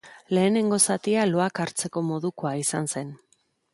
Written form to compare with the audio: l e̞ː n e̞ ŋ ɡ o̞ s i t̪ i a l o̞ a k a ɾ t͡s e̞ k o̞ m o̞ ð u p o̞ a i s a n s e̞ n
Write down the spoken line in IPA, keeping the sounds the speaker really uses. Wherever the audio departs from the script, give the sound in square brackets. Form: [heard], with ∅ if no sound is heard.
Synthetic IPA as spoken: l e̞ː n e̞ ŋ ɡ o̞ s [a] t̪ i a l o̞ a k a ɾ t͡s e̞ k o̞ m o̞ ð u [k] o̞ a i s a n s e̞ n